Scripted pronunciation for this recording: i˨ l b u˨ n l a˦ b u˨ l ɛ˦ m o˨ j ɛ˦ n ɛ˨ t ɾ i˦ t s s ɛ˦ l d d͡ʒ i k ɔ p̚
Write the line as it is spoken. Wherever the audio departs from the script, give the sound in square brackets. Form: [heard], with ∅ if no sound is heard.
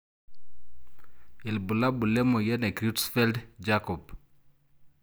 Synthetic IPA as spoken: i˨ l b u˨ [∅] l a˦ b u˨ l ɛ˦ m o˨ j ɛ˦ n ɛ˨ [k] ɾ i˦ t s [f] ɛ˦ l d d͡ʒ [a] k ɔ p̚